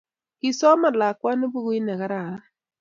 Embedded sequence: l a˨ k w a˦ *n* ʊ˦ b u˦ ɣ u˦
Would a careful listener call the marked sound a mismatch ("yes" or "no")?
no